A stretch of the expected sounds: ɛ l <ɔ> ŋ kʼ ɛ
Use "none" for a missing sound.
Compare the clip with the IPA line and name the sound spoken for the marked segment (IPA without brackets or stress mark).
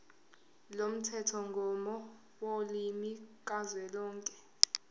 ɔː